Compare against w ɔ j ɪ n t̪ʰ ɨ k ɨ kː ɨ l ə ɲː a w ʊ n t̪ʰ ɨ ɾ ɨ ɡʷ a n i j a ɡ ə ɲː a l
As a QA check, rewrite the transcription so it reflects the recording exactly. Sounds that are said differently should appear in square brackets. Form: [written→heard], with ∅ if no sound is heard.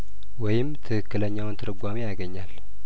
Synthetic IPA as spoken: w ɔ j ɪ [n→m] t̪ʰ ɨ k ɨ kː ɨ l ə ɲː a w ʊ n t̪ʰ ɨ ɾ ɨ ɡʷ a [n→m] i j a ɡ ə ɲː a l